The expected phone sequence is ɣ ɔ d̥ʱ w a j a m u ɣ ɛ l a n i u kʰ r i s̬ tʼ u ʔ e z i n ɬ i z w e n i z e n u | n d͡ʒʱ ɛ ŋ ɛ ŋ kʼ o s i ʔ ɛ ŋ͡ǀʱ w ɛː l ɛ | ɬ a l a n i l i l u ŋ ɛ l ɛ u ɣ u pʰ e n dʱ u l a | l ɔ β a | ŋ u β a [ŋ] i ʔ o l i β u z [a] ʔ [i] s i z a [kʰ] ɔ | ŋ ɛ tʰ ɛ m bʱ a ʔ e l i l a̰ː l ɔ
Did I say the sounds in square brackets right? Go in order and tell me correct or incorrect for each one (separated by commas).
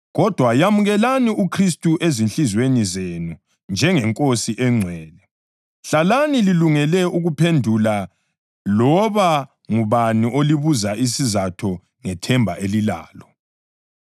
incorrect, correct, correct, incorrect